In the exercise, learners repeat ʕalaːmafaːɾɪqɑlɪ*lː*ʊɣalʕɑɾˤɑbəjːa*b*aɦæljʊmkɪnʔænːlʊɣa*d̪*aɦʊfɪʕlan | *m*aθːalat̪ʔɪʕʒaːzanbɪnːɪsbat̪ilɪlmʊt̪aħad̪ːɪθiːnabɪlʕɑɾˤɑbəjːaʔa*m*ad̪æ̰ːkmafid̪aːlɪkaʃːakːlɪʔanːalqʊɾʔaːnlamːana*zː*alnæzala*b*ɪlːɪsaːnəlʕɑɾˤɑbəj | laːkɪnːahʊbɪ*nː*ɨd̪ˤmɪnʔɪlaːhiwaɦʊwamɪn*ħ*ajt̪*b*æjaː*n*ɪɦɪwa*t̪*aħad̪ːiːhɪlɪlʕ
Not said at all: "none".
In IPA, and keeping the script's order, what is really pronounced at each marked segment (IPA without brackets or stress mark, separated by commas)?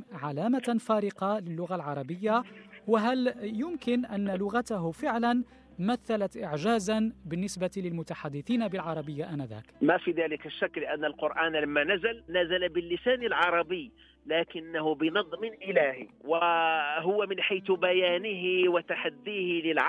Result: lː, w, t̪, m, n, z, b, n, ħ, b, n, t̪